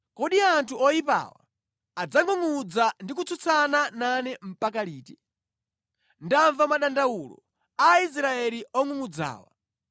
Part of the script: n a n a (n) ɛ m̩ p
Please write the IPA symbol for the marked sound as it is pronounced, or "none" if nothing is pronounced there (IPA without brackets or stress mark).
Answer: n